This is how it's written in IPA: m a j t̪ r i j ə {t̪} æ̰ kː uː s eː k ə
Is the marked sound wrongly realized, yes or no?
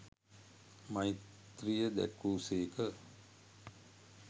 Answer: yes